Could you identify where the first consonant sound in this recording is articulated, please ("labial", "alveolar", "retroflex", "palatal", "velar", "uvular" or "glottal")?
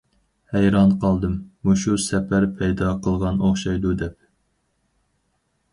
glottal